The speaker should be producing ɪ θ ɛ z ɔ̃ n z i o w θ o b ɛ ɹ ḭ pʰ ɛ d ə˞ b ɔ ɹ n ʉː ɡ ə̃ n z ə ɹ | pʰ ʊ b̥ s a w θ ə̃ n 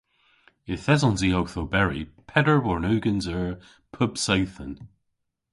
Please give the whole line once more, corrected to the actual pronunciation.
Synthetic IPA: ɪ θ ɛ z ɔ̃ n z i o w θ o b ɛ ɹ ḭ pʰ ɛ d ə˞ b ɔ ɹ n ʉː ɡ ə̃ n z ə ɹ | pʰ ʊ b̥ s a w θ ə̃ n

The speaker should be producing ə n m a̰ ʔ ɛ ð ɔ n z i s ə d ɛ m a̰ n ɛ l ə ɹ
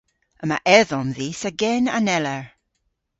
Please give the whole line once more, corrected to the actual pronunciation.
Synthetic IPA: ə m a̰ ʔ ɛ ð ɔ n ð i s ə ɡ ɛ n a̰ n ɛ l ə ɹ

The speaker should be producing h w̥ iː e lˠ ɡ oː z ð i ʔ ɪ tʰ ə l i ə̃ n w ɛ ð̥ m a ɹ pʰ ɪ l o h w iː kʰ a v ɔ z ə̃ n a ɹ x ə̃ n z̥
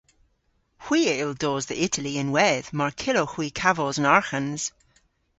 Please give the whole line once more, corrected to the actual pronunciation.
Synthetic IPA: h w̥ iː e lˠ d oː z ð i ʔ ɪ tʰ ə l i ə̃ n w ɛ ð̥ m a ɹ kʰ ɪ l o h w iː kʰ a v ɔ z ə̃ n a ɹ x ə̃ n z̥

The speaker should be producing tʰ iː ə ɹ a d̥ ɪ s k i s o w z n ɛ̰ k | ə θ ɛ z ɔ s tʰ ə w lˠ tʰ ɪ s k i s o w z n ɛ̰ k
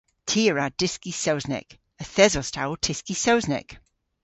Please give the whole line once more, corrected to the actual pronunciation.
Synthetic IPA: tʰ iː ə ɹ a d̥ ɪ s k i s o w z n ɛ̰ k | ə θ ɛ z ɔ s tʰ a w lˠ tʰ ɪ s k i s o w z n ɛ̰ k

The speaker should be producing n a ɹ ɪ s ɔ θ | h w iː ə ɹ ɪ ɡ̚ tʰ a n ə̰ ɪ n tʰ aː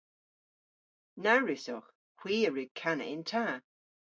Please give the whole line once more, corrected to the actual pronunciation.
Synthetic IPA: n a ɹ ɪ s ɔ x | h w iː ə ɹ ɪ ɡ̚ kʰ a n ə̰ ɪ n tʰ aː

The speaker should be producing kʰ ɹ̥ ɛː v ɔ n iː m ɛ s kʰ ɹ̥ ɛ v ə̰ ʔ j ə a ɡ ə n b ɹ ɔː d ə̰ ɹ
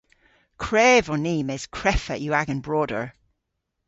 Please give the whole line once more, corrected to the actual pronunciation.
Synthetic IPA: kʰ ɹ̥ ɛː v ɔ n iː m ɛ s kʰ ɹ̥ ɛ f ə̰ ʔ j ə a ɡ ə n b ɹ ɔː d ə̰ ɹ

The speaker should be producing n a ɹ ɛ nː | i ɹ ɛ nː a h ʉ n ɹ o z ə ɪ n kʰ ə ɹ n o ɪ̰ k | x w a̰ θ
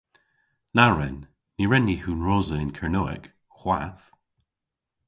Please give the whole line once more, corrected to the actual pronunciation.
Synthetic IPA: n a ɹ ɛ nː | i ɹ ɛ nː i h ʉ n ɹ o z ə ɪ n kʰ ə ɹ n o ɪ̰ k | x w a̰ θ

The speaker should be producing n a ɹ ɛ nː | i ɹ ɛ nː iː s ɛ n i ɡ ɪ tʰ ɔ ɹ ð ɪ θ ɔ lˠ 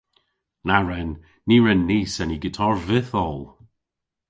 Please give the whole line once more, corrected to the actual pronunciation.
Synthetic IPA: n a ɹ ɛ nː | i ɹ ɛ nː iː s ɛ n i ɡ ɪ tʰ ɔ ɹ v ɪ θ ɔ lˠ

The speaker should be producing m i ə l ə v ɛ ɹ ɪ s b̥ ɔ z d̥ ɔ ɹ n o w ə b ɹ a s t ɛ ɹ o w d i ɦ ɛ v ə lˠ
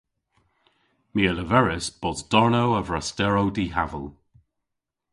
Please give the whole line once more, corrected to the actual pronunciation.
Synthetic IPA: m i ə l ə v ɛ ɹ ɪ s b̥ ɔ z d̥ ɔ ɹ n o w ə v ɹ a s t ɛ ɹ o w d i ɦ a v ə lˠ

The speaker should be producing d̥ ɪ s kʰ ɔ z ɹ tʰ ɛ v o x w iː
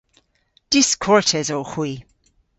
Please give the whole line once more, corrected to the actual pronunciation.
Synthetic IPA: d̥ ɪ s kʰ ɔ ɹ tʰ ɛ z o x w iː

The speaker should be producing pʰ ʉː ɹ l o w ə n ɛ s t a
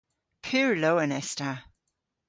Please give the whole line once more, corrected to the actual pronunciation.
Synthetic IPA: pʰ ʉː ɹ l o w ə n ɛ s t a

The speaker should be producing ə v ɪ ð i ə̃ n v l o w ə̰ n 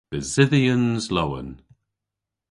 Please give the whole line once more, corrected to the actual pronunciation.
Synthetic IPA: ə z ɪ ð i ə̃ n z l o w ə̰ n

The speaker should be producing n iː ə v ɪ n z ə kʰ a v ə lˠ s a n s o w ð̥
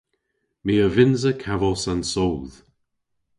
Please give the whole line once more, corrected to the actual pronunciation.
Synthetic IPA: m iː ə v ɪ n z ə kʰ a v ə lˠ s a n s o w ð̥

